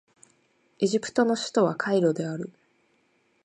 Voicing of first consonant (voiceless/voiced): voiced